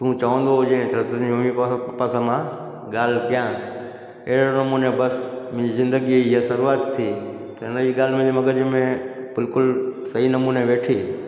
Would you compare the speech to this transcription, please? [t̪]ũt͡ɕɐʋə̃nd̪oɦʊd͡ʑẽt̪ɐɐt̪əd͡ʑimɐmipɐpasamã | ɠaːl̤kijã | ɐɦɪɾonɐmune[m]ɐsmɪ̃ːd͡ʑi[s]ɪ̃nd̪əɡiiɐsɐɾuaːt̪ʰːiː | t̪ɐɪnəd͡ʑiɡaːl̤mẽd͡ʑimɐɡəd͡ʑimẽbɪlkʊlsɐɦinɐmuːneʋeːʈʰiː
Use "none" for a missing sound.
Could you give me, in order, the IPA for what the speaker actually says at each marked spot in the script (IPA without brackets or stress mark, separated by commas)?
t̪, b, z